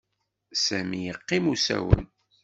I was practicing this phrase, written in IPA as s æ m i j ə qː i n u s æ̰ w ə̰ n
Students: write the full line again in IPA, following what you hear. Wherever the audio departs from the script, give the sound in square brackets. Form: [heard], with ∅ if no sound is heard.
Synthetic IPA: s æ m i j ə qː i [m] u s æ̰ w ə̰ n